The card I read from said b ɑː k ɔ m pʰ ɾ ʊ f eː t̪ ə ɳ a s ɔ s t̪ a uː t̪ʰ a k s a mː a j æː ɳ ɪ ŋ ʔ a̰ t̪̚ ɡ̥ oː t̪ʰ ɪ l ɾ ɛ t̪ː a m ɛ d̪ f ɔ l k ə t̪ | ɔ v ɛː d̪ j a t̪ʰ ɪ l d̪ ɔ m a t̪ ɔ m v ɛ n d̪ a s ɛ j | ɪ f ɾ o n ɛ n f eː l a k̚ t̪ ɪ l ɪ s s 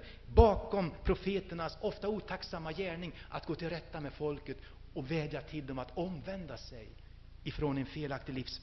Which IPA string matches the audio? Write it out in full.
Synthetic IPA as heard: b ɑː k ɔ m pʰ ɾ ʊ f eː t̪ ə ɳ a s ɔ f t̪ a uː t̪ʰ a k s a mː a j æː ɳ ɪ ŋ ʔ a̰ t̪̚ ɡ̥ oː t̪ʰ ɪ l ɾ ɛ t̪ː a m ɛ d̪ f ɔ l k ə t̪ | ɔ v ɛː d̪ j a t̪ʰ ɪ l d̪ ɔ m a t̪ ɔ m v ɛ n d̪ a s ɛ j | ɪ f ɾ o n ɛ n f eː l a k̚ t̪ ɪ l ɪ f s